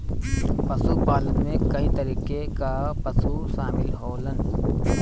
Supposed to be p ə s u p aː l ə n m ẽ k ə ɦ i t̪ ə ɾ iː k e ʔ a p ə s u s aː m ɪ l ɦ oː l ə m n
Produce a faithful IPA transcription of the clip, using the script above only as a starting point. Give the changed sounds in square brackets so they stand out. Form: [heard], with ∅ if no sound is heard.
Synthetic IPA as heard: p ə s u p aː l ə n m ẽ k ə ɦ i t̪ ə ɾ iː k e [k] a p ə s u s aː m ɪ l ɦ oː l ə [∅] n